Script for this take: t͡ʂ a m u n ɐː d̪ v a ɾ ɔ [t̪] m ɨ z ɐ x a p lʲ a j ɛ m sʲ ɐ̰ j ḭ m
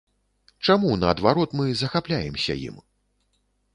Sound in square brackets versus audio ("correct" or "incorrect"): correct